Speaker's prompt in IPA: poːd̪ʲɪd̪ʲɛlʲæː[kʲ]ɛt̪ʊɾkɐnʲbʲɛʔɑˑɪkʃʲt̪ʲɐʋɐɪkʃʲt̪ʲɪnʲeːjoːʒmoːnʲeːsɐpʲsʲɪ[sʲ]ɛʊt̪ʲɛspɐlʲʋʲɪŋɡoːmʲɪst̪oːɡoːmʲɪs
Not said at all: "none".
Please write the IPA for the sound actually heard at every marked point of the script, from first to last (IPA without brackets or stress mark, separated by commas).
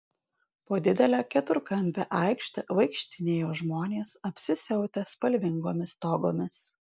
kʲ, sʲ